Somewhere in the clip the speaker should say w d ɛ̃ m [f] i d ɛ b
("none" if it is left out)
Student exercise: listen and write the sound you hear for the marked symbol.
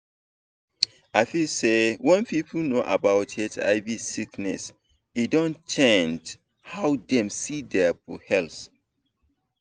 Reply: s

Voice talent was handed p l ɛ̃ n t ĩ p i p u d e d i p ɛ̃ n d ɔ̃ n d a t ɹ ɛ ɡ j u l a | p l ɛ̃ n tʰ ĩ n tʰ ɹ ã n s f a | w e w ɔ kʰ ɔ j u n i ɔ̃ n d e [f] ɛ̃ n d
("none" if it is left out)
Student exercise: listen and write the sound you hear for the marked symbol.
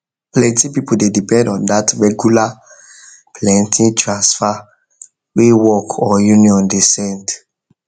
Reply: s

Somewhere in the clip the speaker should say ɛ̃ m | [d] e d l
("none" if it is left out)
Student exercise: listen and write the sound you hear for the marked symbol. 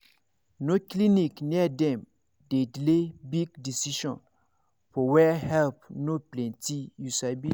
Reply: d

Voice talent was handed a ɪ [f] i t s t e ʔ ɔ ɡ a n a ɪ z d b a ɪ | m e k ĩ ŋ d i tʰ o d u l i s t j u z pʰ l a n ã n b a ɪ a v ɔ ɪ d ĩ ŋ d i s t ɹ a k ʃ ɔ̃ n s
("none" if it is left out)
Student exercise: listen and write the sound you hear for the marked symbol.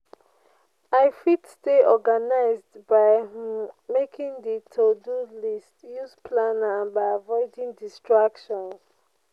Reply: f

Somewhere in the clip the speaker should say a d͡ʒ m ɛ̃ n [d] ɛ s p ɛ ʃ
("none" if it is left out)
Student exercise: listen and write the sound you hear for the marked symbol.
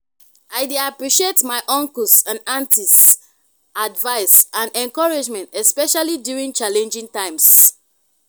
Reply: t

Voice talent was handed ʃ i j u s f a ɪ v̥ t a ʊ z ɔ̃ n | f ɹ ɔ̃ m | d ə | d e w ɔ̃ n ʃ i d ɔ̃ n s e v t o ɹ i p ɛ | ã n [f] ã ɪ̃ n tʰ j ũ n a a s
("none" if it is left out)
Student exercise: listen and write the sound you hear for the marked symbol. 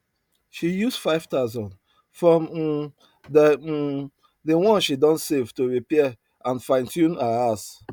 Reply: f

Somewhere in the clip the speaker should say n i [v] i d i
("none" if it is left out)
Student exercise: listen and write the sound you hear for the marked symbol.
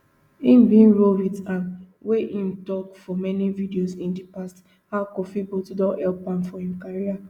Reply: v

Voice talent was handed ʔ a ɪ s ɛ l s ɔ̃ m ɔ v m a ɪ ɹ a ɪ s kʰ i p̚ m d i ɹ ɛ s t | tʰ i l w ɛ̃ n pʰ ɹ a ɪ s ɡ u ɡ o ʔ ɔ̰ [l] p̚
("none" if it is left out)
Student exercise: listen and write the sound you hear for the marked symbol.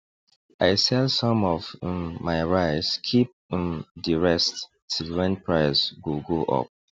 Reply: none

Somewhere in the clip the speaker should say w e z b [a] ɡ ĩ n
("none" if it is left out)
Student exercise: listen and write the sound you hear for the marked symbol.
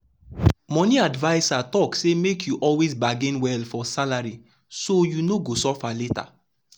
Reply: a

